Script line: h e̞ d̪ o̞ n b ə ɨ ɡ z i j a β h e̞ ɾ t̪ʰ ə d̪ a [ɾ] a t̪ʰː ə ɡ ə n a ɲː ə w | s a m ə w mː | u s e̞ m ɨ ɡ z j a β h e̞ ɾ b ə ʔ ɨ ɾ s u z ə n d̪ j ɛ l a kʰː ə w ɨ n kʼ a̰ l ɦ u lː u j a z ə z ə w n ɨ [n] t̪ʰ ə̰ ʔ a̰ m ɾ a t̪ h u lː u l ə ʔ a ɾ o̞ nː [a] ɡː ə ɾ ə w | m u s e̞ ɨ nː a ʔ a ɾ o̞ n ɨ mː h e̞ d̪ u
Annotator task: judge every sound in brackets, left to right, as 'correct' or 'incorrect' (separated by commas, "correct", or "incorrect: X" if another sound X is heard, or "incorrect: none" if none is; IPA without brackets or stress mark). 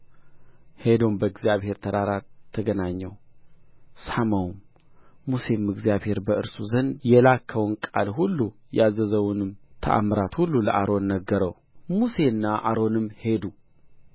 correct, incorrect: m, incorrect: ə